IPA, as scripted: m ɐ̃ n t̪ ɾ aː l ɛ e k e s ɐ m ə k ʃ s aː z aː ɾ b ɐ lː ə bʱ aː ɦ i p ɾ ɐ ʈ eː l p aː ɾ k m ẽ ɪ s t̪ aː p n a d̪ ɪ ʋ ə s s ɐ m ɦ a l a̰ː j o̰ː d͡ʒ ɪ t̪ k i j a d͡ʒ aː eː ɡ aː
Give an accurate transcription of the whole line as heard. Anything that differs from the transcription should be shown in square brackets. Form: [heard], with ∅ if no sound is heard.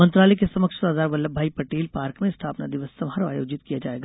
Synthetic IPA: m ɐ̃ n t̪ ɾ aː l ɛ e k e s ɐ m ə k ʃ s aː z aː ɾ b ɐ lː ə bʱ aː [∅] i p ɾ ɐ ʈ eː l p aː ɾ k m ẽ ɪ s [t̪ʰ] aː p n a d̪ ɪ ʋ ə s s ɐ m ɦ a [ɾ] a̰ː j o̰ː d͡ʒ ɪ t̪ k i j a d͡ʒ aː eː ɡ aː

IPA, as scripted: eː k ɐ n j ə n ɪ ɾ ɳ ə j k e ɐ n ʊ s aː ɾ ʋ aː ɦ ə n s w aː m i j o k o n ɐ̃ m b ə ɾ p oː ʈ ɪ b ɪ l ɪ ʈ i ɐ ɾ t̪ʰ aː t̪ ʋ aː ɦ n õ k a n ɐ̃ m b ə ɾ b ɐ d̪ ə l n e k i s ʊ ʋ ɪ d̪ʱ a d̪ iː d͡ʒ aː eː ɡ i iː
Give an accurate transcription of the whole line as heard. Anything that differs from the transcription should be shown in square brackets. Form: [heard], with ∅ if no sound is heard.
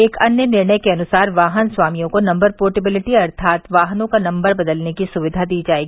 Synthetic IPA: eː k ɐ n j ə n ɪ ɾ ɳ ə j k e ɐ n ʊ s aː ɾ ʋ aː ɦ ə n s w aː m i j [õ] k o n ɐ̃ m b ə ɾ p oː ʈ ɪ b ɪ l ɪ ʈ i ɐ ɾ t̪ʰ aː t̪ ʋ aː ɦ n õ k a n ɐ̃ m b ə ɾ b ɐ d̪ ə l n e k i s ʊ ʋ ɪ d̪ʱ a d̪ iː d͡ʒ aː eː ɡ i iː

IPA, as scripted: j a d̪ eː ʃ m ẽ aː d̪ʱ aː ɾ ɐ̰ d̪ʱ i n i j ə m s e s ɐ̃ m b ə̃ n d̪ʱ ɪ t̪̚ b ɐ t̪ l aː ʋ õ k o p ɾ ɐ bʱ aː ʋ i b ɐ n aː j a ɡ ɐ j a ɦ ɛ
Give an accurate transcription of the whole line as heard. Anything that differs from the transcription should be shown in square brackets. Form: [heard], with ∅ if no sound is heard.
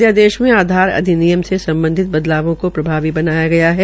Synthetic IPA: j a d̪ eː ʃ m ẽ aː d̪ʱ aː ɾ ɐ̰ d̪ʱ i n i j ə m s e s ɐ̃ m b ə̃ n d̪ʱ ɪ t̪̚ b ɐ [d̪] l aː ʋ õ k o p ɾ ɐ bʱ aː ʋ i b ɐ n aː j a ɡ ɐ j a ɦ ɛ

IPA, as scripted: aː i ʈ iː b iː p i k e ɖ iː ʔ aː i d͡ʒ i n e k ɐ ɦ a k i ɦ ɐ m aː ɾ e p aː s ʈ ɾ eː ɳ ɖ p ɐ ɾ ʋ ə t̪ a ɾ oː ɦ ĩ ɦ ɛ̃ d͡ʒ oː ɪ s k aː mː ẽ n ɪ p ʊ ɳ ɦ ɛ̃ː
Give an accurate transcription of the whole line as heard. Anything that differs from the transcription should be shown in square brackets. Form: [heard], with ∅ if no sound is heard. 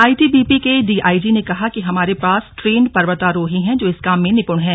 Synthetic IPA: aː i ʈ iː b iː p i k e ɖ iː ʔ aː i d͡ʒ i n e k ɐ ɦ a k i ɦ ɐ m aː ɾ e p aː s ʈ ɾ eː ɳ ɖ p ɐ ɾ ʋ ə t̪ a ɾ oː ɦ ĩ ɦ ɛ̃ d͡ʒ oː ɪ s k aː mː ẽ n ɪ p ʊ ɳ ɦ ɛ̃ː

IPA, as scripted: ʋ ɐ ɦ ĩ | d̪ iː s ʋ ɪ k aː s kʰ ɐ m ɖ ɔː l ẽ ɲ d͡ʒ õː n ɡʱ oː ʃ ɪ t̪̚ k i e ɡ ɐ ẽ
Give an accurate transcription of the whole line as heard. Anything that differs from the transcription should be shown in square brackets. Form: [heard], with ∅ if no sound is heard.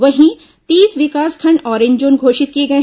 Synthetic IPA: ʋ ɐ ɦ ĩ | [t̪] iː s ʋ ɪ k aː s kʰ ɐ [ɳ] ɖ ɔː [ɾ] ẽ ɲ d͡ʒ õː n ɡʱ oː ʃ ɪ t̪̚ k i e ɡ ɐ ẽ

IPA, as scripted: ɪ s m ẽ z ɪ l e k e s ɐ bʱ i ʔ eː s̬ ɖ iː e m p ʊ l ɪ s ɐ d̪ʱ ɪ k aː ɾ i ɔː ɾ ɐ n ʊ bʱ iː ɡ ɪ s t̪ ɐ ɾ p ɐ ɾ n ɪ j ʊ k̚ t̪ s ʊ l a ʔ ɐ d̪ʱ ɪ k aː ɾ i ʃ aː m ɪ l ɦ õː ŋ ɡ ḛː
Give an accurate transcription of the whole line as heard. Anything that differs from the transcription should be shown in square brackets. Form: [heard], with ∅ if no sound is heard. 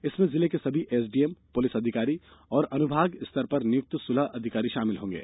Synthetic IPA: ɪ s m ẽ z ɪ l e k e s ɐ bʱ i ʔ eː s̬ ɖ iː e m p ʊ l ɪ s ɐ d̪ʱ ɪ k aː ɾ i ɔː ɾ ɐ n ʊ bʱ [aː] ɡ ɪ s t̪ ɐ ɾ p ɐ ɾ n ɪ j ʊ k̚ t̪ s ʊ l a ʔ ɐ d̪ʱ ɪ k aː ɾ i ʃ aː m ɪ l ɦ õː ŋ ɡ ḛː

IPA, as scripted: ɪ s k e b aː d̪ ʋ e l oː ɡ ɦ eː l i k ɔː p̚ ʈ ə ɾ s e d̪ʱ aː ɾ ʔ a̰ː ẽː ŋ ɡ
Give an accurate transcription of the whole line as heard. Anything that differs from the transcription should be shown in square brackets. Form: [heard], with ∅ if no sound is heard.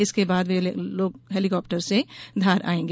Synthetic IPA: ɪ s k e b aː d̪ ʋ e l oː ɡ ɦ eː l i k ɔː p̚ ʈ ə ɾ s e d̪ʱ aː ɾ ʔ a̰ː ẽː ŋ ɡ

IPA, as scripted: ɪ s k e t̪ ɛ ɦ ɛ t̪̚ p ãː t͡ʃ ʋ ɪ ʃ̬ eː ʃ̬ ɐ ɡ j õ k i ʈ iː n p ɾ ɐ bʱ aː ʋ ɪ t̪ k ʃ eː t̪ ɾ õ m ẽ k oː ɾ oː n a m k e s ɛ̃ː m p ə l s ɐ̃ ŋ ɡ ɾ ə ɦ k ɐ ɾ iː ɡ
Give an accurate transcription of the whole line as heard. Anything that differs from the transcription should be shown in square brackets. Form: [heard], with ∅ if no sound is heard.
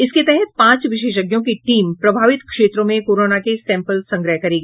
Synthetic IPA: ɪ s k e t̪ ɛ ɦ ɛ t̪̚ p ãː t͡ʃ ʋ ɪ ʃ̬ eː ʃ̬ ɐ ɡ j õ k i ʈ iː [m] p ɾ ɐ bʱ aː ʋ ɪ t̪ k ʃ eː t̪ ɾ õ m ẽ k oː ɾ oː n a [∅] k e s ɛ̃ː m p ə l s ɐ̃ ŋ ɡ ɾ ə ɦ k ɐ ɾ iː ɡ

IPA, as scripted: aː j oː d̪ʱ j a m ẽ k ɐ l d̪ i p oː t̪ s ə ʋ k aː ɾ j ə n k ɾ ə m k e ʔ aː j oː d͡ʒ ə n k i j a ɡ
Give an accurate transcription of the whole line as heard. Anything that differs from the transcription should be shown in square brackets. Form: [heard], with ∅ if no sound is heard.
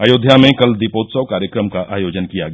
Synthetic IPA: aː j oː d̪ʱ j a m ẽ k ɐ l d̪ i p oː t̪ s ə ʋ k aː ɾ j ə [∅] k ɾ ə m k [a] ʔ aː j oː d͡ʒ ə n k i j a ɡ

